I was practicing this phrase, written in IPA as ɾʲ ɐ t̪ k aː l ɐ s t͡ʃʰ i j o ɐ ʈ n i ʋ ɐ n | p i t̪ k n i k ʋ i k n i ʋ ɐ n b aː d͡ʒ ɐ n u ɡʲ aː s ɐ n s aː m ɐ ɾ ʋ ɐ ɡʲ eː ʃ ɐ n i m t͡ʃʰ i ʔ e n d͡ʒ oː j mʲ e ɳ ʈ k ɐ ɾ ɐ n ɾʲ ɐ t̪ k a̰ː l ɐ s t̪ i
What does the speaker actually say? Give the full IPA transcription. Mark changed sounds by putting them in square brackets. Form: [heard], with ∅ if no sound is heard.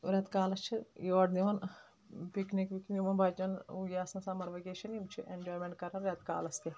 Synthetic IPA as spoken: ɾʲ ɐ t̪ k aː l ɐ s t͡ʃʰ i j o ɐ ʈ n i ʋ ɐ n | p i [∅] k n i k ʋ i k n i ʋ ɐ n b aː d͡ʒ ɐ n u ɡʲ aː s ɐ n s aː m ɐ ɾ ʋ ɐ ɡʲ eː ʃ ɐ n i m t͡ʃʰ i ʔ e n d͡ʒ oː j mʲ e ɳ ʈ k ɐ ɾ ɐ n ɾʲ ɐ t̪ k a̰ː l ɐ s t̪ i